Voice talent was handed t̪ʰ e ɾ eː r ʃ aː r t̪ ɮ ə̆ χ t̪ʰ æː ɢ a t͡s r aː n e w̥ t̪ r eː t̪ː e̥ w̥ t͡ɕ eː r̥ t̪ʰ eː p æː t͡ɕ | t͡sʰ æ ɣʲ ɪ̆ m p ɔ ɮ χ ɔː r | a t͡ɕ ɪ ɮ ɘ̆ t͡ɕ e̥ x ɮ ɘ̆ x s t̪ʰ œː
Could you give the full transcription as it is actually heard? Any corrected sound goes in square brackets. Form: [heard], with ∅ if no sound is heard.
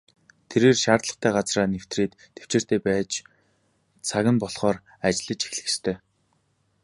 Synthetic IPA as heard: t̪ʰ e ɾ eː r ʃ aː r t̪ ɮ ə̆ χ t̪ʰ æː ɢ a t͡s r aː n e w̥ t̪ r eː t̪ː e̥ w̥ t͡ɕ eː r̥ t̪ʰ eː p æː t͡ɕ | t͡sʰ [a] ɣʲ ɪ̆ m p ɔ ɮ χ ɔː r | a t͡ɕ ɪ ɮ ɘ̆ t͡ɕ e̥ x ɮ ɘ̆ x s t̪ʰ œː